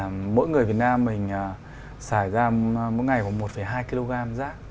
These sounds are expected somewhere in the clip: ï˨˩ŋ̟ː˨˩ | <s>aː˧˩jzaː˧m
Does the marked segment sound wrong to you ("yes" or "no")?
no